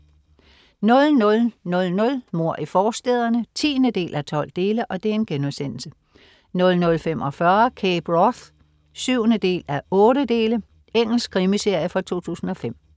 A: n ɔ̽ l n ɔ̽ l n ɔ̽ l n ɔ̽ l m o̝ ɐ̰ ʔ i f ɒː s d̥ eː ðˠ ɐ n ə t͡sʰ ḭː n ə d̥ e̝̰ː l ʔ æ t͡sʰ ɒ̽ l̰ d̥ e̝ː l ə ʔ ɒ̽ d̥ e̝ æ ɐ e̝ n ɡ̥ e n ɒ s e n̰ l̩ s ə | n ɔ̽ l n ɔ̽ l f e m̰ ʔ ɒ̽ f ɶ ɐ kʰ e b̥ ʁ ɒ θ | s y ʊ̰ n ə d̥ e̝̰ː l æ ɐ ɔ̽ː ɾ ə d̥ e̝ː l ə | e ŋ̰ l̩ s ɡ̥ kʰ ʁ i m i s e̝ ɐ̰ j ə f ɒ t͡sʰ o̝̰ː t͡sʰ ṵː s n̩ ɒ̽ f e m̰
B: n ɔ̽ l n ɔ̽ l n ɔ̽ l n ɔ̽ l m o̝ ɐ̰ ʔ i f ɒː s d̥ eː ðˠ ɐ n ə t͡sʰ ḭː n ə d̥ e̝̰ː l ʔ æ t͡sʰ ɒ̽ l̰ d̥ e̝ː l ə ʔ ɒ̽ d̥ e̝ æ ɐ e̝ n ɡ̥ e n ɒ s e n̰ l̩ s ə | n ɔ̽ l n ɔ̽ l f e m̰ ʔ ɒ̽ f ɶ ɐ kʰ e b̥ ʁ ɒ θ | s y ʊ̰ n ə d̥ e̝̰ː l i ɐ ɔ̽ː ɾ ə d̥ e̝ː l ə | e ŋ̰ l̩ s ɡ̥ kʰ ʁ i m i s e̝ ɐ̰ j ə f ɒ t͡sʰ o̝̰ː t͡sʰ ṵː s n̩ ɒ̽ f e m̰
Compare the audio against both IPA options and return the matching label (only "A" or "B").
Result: A